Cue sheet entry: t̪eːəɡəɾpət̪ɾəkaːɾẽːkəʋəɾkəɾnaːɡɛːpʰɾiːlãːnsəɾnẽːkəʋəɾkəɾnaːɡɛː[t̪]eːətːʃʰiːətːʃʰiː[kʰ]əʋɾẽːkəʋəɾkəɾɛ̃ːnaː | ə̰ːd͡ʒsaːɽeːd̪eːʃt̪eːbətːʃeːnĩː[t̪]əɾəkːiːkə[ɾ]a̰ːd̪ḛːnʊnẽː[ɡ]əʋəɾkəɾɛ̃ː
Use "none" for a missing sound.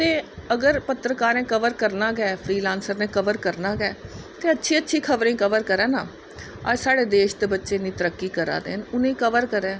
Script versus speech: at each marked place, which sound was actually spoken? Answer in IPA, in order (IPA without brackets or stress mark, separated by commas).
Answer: t̪, kʰ, t̪, ɾ, k